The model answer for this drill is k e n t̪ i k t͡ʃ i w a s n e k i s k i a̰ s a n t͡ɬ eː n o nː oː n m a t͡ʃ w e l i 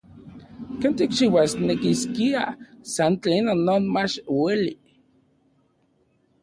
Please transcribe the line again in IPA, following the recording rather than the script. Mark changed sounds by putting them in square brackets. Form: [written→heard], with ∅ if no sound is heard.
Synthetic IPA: k e n t̪ i k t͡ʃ i w a s n e k i s k i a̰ s a n t͡ɬ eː n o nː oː n m a t͡ʃ w e l i